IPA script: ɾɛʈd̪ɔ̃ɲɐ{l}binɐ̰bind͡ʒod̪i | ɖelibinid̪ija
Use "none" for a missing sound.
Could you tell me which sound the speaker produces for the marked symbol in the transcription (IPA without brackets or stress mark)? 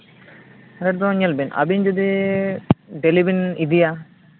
l